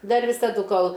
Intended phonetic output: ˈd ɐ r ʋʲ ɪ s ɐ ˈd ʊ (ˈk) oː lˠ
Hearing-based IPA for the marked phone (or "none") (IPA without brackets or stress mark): k